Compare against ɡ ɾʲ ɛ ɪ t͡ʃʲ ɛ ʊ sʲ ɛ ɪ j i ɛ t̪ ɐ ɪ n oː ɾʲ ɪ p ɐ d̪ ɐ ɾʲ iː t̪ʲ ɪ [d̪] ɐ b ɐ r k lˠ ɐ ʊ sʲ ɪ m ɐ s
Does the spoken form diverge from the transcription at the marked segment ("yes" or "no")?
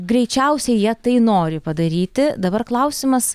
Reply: no